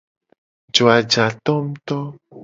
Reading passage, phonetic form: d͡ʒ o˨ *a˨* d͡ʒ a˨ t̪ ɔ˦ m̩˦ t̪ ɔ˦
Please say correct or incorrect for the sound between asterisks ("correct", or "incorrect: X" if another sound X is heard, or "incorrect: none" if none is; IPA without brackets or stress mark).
correct